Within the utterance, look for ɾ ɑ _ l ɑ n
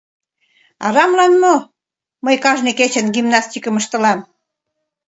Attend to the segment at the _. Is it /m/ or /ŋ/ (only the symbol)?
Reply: m